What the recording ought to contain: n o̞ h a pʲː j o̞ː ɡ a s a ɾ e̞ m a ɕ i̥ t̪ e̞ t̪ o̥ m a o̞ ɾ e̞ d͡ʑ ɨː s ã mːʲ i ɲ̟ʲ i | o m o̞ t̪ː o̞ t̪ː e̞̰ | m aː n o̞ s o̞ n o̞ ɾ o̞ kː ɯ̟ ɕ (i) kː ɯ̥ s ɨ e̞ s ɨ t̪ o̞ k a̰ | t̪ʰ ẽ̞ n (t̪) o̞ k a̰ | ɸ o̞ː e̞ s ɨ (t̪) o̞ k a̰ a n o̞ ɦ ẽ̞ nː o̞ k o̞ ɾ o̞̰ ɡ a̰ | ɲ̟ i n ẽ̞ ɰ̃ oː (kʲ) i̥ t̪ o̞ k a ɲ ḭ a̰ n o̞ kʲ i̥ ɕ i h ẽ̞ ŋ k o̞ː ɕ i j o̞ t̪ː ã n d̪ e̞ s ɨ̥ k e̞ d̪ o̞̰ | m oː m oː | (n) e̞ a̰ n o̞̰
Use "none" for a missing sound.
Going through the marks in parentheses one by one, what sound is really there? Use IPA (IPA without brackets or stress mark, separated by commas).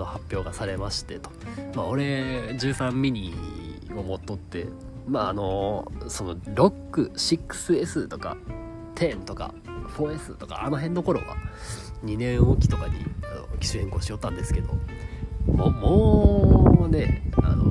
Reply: i, t̪, t̪, kʲ, n